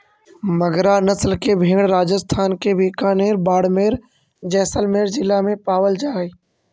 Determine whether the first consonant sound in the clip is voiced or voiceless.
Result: voiced